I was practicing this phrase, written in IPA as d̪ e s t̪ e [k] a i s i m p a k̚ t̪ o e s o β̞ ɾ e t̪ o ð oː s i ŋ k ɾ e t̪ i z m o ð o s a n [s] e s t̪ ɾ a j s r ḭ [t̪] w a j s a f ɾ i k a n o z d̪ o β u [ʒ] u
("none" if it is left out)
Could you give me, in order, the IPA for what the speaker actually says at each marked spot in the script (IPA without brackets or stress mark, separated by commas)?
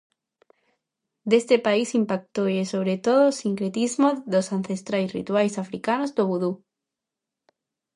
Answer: p, θ, t̪, ð